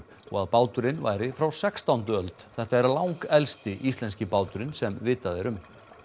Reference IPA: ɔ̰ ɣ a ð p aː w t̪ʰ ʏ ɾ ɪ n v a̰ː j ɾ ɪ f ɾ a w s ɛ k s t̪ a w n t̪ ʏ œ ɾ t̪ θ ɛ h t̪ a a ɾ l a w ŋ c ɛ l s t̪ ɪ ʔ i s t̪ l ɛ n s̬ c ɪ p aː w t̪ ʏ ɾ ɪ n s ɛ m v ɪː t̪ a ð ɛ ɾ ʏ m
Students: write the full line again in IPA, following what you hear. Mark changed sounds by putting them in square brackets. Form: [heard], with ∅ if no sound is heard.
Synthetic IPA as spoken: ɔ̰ ɣ a ð p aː w [t̪] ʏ ɾ ɪ n v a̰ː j ɾ ɪ f ɾ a w s ɛ k s t̪ a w n t̪ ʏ œ [l] t̪ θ ɛ h t̪ a [ɛ] ɾ l a w ŋ [k] ɛ l s t̪ ɪ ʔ i s t̪ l ɛ n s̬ c ɪ p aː w t̪ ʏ ɾ ɪ n s ɛ m v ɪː t̪ a ð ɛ ɾ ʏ m